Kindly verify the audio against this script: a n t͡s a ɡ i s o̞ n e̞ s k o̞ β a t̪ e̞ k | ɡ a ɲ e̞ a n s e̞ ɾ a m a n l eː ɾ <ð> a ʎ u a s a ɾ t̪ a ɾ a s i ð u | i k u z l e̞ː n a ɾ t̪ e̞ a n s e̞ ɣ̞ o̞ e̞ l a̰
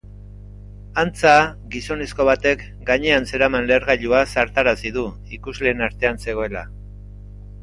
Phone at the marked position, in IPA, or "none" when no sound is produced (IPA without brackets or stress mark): ɣ